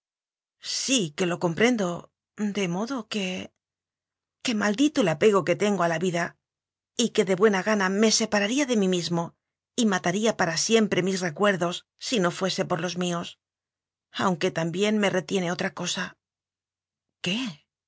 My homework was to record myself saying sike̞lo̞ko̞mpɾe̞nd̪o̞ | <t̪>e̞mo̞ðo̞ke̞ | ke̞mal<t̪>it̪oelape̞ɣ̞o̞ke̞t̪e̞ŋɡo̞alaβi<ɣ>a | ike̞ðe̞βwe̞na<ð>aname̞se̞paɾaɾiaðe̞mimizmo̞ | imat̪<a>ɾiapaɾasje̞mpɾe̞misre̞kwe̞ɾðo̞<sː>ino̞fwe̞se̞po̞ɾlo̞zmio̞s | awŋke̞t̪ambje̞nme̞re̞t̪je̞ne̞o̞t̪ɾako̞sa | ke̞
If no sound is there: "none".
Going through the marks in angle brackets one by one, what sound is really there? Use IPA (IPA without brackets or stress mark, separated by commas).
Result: d̪, d̪, ð, ɣ, a, sː